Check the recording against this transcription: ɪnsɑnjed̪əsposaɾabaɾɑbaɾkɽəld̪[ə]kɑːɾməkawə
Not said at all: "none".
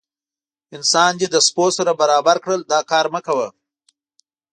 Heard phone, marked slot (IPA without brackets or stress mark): ɑ